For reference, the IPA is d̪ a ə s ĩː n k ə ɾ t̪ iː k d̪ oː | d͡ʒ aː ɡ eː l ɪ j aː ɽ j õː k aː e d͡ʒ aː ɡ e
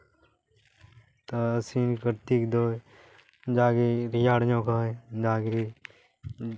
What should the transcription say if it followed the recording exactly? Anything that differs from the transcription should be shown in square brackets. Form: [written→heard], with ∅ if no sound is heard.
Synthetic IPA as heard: [d̪→t̪] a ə s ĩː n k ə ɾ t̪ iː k d̪ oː | d͡ʒ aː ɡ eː [l→ɾ] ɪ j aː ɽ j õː k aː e d͡ʒ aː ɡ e

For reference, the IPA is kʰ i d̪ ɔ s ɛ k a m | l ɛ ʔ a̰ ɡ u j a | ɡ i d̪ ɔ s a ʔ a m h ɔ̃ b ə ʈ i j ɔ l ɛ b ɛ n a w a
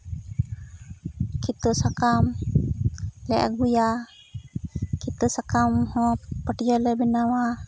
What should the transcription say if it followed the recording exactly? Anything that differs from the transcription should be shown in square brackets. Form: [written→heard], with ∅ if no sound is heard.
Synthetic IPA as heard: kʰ i [d̪→t̪] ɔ s [ɛ→a] k a m | l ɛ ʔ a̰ ɡ u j a | [ɡ→k] i [d̪→t̪] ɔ s a [ʔ→k] a m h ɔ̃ [b→p] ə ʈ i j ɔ l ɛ b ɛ n a w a

